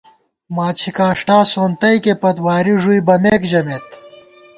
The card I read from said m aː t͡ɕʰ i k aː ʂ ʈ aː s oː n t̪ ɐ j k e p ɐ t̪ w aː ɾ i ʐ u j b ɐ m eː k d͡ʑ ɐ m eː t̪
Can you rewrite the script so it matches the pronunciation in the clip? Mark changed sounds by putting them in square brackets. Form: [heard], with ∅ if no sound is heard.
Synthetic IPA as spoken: m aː t͡ɕʰ i k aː ʂ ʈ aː s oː n t̪ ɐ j k e p ɐ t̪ w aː ɾ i ʐ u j b ɐ m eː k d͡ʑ ɐ m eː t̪